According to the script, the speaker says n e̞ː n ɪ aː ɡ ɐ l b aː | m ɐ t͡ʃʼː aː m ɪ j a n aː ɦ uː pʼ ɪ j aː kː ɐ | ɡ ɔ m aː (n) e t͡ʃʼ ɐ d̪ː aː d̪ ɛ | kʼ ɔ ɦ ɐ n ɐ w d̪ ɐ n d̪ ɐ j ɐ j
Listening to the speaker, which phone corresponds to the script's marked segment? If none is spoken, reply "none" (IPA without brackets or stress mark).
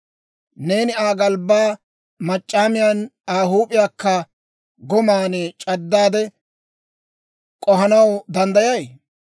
n